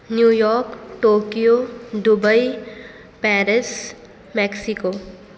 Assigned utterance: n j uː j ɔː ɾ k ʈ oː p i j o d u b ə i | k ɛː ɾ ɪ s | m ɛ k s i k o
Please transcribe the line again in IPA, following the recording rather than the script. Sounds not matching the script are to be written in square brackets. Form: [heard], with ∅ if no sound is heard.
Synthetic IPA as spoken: n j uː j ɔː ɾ k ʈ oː [k] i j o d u b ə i | [p] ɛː ɾ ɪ s | m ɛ k s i k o